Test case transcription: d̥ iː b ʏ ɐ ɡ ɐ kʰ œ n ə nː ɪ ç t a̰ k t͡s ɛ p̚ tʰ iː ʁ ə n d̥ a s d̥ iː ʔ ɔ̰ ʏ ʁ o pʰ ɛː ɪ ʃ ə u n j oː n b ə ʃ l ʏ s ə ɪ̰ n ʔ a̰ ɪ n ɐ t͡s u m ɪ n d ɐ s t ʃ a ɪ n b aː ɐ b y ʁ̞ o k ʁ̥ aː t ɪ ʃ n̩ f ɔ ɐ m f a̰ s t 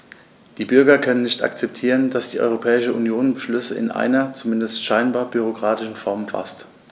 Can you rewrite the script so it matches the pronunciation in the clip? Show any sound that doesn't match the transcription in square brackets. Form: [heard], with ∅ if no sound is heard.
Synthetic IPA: d̥ iː b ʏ ɐ ɡ ɐ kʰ œ n ə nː ɪ ç t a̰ k t͡s ɛ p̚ tʰ iː ʁ ə n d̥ a s d̥ iː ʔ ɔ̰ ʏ ʁ o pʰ ɛː ɪ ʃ ə u n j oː n b ə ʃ l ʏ s ə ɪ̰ n ʔ a̰ ɪ n ɐ t͡s u m ɪ n d [ə] s t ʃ a ɪ n b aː ɐ b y ʁ̞ o k ʁ̥ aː t ɪ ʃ n̩ f ɔ ɐ m f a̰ s t